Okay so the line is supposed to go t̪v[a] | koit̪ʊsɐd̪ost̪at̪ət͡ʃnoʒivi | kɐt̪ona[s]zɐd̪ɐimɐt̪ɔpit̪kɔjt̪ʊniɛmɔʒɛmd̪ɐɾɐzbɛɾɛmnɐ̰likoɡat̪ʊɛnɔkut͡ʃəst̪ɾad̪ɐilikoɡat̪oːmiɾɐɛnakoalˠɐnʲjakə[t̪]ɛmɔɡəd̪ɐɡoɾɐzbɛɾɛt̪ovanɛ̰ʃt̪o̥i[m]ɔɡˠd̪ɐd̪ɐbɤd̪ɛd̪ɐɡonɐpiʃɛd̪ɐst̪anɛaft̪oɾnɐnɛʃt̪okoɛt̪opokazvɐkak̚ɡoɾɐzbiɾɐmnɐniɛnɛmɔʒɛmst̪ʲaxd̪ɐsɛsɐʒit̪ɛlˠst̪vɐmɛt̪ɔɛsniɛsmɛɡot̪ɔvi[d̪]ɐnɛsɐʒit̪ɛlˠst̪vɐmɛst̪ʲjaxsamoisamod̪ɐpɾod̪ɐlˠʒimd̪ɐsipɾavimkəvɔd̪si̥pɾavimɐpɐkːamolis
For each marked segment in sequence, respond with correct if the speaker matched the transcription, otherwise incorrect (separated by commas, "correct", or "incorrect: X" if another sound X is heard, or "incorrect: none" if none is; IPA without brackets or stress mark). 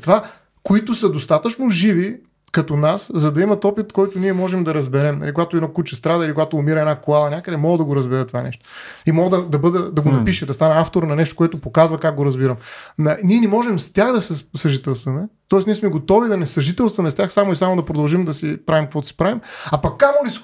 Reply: correct, correct, incorrect: d̪, correct, correct